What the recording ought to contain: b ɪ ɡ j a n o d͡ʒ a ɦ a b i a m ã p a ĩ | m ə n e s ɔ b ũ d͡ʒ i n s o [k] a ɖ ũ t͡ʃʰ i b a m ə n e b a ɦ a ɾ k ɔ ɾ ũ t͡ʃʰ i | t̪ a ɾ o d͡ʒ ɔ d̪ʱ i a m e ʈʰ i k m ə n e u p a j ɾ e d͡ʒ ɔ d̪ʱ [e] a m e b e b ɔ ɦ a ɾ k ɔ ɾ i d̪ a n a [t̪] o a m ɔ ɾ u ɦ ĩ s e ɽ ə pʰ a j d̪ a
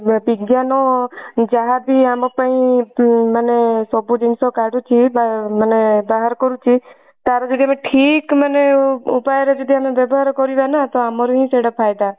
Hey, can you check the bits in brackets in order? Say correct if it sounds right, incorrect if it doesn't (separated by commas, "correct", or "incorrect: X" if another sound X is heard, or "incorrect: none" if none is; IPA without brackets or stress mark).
correct, incorrect: i, correct